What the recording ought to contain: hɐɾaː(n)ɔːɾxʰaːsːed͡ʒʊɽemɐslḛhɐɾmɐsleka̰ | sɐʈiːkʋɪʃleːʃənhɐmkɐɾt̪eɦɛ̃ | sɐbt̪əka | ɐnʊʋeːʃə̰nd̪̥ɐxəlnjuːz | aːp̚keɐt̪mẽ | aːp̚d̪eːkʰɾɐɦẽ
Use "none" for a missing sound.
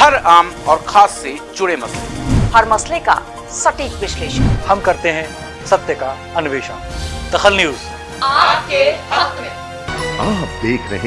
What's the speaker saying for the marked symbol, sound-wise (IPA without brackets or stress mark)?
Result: m